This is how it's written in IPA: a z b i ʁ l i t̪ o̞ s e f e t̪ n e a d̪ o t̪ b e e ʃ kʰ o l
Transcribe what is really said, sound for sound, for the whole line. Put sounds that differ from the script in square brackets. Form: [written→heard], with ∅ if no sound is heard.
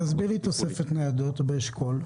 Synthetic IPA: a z b i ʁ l i t̪ o̞ s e f e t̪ n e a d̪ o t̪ b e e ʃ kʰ o l